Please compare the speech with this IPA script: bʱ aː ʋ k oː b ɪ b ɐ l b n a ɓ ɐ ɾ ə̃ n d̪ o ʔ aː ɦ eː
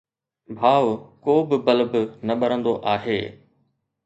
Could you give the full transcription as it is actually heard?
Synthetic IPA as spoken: bʱ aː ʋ k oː b ɪ b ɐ l b n ɐ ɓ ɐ ɾ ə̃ n d̪ o ʔ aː ɦ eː